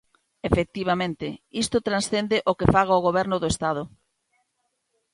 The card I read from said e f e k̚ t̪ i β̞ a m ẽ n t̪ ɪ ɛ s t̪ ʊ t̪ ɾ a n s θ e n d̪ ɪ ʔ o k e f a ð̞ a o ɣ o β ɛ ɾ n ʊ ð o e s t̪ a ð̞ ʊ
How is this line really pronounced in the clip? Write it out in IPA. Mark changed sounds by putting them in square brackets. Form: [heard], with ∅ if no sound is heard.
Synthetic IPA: e f e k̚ t̪ i β̞ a m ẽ n t̪ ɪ [i] s t̪ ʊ t̪ ɾ a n s θ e n d̪ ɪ ʔ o k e f a [ɣ̞] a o ɣ o β ɛ ɾ n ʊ ð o e s t̪ a ð̞ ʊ